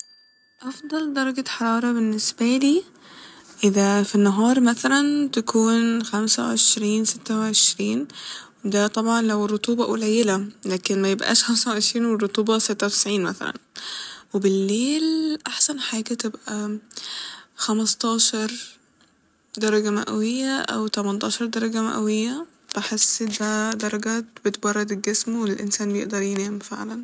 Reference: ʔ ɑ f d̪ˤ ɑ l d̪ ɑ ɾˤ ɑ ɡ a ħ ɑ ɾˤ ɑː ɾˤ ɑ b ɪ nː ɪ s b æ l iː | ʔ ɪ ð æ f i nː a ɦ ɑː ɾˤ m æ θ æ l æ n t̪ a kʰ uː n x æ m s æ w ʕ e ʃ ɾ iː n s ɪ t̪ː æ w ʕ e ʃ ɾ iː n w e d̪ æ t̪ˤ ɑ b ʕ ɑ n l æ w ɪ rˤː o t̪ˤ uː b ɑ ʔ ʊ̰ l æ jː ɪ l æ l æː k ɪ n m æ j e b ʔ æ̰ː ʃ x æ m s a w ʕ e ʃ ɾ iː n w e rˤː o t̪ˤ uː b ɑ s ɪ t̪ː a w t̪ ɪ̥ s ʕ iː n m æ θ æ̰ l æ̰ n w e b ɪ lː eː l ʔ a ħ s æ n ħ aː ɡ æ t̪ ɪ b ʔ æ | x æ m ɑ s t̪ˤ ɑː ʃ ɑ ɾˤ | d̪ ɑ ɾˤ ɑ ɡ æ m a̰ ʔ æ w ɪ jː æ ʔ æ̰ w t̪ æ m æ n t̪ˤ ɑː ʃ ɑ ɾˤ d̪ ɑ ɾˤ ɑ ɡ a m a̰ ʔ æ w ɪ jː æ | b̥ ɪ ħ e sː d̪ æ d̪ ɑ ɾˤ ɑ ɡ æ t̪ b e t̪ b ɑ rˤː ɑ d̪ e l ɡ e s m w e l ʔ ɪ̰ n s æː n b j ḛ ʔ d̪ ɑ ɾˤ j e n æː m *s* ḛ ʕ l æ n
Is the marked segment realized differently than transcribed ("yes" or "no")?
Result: yes